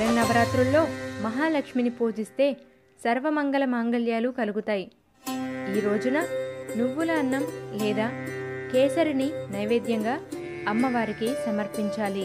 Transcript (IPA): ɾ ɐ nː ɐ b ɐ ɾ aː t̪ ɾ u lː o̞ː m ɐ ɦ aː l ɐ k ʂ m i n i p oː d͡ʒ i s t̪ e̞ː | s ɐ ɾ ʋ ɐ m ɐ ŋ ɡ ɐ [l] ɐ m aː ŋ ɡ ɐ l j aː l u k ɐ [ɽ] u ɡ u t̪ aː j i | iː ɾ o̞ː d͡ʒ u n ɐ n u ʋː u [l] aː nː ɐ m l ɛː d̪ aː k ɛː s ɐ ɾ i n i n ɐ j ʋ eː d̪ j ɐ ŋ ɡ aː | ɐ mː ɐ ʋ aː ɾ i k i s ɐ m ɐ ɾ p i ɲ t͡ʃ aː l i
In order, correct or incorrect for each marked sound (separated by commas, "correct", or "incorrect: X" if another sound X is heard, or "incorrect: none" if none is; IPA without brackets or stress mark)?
correct, incorrect: l, correct